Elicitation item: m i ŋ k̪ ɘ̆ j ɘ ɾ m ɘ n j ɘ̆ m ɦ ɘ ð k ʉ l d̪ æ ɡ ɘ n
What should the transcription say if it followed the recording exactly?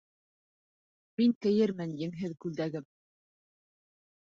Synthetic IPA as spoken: m i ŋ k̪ ɘ̆ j ɘ ɾ m ɘ n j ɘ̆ ŋ ɦ ɘ ð k ʉ l d̪ æ ɡ ɘ m